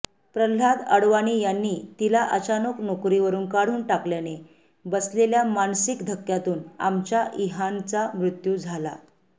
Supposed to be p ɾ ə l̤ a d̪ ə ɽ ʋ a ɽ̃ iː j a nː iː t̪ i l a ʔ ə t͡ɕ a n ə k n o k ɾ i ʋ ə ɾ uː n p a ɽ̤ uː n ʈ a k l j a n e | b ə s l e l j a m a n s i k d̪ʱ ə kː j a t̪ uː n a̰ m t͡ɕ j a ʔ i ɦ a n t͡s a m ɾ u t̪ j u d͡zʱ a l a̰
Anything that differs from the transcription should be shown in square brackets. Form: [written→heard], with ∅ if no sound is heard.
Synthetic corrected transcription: p ɾ ə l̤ a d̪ ə ɽ ʋ a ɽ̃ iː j a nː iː t̪ i l a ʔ ə t͡ɕ a n ə k n o k ɾ i ʋ ə ɾ uː n [p→k] a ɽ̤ uː n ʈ a k l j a n e | b ə s l e l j a m a n s i k d̪ʱ ə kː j a t̪ uː n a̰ m t͡ɕ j a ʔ i ɦ a n t͡s a m ɾ u t̪ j u d͡zʱ a l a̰